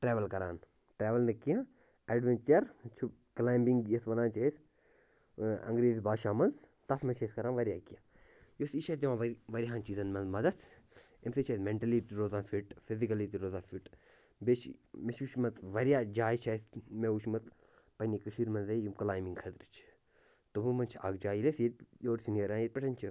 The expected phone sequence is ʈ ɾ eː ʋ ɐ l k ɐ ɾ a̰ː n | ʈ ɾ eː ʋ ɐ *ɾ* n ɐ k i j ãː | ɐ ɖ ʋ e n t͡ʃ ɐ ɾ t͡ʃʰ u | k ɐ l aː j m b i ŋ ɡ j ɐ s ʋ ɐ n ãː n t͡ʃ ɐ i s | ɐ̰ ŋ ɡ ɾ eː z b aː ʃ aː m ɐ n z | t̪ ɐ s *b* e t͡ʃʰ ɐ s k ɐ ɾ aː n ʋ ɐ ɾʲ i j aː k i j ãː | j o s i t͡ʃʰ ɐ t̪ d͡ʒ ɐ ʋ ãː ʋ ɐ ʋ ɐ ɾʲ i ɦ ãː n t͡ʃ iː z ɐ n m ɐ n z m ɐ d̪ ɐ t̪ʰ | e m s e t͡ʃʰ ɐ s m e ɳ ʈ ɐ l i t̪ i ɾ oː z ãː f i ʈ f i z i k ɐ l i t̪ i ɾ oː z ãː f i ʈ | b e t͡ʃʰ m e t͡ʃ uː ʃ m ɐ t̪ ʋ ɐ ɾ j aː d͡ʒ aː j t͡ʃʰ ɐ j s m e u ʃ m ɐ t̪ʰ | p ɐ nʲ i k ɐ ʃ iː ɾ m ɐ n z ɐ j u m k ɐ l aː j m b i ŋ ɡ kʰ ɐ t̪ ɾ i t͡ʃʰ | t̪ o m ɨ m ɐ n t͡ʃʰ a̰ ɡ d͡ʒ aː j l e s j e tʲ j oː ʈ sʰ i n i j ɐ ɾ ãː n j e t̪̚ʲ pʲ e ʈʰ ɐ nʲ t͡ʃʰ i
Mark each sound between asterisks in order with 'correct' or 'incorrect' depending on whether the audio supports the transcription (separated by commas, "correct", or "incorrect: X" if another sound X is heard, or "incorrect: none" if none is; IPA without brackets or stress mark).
incorrect: l, incorrect: m